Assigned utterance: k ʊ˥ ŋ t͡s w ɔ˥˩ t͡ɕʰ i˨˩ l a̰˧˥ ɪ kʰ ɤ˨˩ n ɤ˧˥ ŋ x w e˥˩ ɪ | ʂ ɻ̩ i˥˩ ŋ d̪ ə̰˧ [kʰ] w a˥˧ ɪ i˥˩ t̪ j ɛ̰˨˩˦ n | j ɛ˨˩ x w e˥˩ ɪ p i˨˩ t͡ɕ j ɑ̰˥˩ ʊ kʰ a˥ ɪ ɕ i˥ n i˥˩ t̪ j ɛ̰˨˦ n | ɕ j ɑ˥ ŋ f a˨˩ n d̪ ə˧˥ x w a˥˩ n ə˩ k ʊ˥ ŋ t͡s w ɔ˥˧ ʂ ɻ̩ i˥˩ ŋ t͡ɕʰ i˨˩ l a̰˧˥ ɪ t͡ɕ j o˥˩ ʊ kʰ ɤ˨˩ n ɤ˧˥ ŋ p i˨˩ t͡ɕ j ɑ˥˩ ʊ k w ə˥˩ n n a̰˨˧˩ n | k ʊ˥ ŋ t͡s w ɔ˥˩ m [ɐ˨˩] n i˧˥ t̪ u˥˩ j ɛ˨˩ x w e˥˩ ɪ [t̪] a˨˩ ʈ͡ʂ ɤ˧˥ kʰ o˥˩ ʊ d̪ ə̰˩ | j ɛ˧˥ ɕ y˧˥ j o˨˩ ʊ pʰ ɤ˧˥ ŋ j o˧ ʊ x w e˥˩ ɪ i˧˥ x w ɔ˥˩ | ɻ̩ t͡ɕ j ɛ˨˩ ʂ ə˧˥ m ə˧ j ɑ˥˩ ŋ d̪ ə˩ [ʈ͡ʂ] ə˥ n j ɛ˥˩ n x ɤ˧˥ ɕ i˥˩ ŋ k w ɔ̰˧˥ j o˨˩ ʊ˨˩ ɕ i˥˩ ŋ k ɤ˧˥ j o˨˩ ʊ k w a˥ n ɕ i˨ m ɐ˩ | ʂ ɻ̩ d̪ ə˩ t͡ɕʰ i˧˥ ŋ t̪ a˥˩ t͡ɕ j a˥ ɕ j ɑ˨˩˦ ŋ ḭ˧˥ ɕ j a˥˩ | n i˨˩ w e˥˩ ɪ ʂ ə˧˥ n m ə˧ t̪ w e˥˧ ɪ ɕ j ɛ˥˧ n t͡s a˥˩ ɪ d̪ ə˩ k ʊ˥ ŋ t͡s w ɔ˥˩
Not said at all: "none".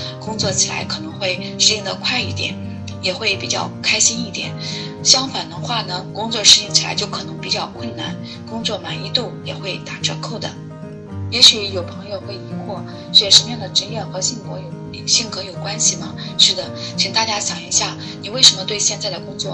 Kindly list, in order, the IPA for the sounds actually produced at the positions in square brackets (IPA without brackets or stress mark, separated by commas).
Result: kʰ, a˨˩, t̪, ʈ͡ʂ